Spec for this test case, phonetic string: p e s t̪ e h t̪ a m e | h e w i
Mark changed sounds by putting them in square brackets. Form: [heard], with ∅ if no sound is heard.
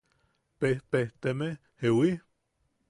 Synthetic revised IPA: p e [h] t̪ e h t̪ [e] m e | h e w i